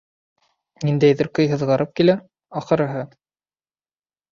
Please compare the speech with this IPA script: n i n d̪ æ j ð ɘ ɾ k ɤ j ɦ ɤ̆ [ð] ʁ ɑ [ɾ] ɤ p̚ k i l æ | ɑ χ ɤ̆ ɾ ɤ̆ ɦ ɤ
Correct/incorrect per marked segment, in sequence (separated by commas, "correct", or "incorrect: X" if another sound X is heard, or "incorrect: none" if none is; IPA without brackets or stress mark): correct, correct